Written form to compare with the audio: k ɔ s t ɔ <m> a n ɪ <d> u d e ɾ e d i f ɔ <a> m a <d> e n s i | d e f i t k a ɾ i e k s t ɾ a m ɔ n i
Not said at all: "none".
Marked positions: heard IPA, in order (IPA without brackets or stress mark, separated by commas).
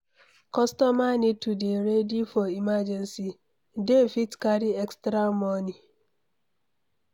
m, t, i, d͡ʒ